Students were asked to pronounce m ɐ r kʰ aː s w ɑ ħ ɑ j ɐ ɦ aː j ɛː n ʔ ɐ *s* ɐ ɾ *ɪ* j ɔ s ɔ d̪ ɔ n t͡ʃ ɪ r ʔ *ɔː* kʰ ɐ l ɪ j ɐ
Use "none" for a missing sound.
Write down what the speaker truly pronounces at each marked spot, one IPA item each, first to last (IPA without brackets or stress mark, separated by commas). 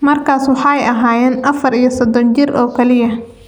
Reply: f, i, ɔː